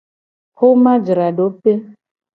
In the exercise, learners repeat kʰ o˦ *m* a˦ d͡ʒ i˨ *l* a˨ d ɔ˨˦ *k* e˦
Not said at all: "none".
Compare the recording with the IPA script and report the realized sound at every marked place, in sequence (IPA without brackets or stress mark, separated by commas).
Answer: m, ɾ, p